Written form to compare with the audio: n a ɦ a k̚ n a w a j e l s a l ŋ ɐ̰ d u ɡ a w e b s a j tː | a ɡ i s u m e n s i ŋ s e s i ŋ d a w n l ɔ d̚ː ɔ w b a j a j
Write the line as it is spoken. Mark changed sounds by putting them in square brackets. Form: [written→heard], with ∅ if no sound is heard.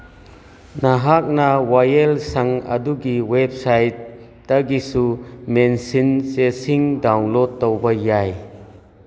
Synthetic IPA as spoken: n a ɦ a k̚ n a w a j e l s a [l→∅] ŋ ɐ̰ d u ɡ [a→i] w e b s a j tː | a ɡ i s u m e n s i [ŋ→n] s e s i ŋ d a w n l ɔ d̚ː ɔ w b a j a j